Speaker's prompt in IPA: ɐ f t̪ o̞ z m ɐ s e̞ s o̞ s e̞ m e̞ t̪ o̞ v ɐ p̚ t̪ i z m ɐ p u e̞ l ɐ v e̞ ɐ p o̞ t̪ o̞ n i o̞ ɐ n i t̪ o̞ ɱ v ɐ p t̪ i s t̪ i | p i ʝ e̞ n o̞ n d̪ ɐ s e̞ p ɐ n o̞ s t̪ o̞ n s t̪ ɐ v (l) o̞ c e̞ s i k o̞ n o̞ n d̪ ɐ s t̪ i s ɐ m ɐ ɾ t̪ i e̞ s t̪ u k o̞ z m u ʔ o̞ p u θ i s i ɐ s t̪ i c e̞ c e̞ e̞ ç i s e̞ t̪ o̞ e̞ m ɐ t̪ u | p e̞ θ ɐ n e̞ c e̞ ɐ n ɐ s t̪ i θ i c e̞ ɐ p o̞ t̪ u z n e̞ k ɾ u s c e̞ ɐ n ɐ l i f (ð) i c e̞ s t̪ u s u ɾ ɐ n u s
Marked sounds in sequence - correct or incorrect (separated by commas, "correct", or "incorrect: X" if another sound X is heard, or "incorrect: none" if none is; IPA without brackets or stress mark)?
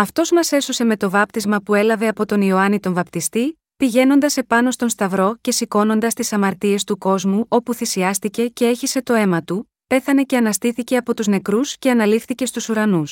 incorrect: ɾ, incorrect: θ